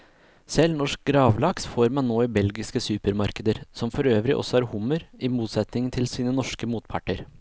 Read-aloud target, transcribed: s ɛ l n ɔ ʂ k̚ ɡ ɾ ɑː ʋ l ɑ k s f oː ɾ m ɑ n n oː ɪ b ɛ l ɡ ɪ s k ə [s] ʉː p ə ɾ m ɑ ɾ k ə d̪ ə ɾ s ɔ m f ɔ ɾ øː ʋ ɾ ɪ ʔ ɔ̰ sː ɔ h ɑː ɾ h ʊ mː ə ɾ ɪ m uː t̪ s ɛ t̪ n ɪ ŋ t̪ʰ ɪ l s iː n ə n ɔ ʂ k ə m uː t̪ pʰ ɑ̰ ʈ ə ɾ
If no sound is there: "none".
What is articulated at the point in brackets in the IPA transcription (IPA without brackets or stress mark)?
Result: s